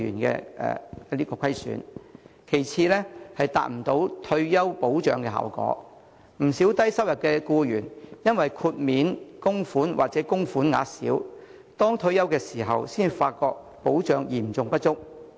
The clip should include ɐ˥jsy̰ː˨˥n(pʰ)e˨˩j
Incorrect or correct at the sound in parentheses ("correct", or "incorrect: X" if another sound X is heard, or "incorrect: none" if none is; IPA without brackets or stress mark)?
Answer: incorrect: kʰ